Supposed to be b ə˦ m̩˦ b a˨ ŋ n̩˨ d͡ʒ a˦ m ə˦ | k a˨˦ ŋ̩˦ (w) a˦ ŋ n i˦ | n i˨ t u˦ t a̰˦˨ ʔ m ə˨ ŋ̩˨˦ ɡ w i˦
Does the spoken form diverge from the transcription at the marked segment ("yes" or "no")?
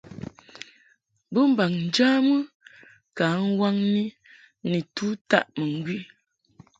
no